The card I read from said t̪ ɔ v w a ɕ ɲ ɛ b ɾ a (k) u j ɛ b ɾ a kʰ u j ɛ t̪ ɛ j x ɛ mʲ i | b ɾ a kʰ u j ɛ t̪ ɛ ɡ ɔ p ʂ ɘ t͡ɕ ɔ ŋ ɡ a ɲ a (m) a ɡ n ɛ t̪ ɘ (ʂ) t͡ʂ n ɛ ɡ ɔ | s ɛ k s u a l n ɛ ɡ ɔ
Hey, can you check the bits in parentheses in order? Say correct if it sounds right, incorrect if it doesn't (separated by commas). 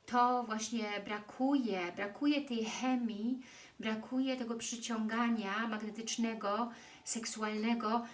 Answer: incorrect, correct, incorrect